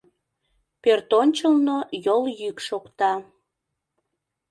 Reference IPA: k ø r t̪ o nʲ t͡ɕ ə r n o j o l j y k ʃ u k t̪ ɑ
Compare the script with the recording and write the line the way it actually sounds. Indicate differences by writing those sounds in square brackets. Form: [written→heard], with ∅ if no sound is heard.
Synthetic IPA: [k→p] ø r t̪ o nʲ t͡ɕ ə [r→l] n o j o l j y k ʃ [u→o] k t̪ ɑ

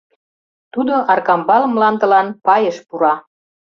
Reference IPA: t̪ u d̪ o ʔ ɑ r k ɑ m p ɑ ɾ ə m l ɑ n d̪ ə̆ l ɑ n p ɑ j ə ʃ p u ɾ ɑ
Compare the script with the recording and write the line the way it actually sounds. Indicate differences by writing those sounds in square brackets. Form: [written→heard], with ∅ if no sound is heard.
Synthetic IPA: t̪ u d̪ o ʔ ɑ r k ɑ m [p→b] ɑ [ɾ→l] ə m l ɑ n d̪ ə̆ l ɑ n p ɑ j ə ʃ p u ɾ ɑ

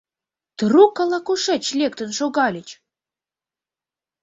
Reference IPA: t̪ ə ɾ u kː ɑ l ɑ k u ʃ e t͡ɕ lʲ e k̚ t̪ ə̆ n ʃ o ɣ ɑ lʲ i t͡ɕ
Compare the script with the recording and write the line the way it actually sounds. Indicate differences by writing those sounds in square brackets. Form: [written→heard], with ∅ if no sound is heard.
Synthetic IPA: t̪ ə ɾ u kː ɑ l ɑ k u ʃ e t͡ɕ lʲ e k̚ t̪ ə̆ n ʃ o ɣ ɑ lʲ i t͡ɕ

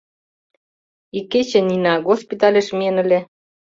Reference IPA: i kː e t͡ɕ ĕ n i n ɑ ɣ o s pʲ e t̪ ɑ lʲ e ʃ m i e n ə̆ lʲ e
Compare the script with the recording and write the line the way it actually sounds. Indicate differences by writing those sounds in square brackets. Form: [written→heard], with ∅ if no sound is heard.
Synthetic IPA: i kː e t͡ɕ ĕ n i n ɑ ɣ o s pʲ [e→i] t̪ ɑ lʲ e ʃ m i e n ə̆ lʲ e

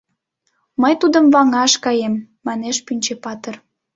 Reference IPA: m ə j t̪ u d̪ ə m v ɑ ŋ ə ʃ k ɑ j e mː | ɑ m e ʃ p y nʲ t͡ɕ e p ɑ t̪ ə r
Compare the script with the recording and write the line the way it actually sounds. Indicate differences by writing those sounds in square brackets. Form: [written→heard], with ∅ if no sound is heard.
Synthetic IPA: m ə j t̪ u d̪ ə m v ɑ ŋ [ə→ɑ] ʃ k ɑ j e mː | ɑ [m→n] e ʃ p y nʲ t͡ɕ e p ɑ t̪ ə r

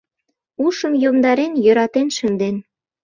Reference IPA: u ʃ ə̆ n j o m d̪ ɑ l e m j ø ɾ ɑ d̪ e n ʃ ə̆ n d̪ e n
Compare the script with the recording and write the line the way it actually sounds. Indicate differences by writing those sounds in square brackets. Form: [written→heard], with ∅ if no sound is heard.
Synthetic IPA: u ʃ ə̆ [n→m] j o m d̪ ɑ [l→ɾ] e [m→n] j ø ɾ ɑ [d̪→t̪] e n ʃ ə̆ n d̪ e n

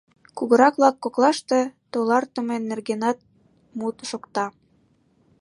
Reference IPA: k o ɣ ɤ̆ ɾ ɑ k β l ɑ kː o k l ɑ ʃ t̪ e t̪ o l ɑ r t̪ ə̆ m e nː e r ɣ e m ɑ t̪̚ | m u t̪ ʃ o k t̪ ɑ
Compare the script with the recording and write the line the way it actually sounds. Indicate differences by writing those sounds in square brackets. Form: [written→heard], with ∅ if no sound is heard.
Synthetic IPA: k [o→u] ɣ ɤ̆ ɾ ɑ k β l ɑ kː o k l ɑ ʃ t̪ e t̪ o l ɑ r t̪ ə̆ m e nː e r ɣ e [m→n] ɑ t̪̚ | m u t̪ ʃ o k t̪ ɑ

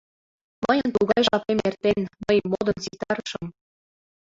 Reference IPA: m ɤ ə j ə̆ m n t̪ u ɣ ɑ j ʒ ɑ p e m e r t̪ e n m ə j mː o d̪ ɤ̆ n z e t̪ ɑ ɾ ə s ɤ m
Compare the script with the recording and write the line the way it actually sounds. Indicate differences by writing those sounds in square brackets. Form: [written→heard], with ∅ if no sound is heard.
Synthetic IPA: m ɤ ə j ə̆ [m→∅] n t̪ u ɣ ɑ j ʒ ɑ p e m e r t̪ e n m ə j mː o d̪ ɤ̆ n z [e→i] t̪ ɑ ɾ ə [s→ʃ] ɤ m

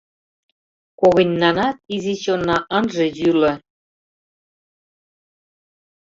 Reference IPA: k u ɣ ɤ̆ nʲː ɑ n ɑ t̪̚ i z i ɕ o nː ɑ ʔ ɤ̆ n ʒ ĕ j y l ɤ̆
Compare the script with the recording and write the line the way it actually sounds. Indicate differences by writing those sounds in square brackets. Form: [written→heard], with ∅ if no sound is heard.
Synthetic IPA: k [u→o] ɣ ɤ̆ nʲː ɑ n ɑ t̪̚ i z i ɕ o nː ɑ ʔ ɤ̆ n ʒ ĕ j y l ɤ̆

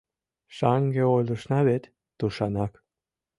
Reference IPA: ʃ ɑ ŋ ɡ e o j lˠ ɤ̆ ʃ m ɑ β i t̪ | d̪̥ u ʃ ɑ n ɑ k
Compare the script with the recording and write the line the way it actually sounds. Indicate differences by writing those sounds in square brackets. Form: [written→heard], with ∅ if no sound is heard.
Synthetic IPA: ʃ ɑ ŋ ɡ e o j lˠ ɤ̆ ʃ [m→n] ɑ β [i→e] t̪ | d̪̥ u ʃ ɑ n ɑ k

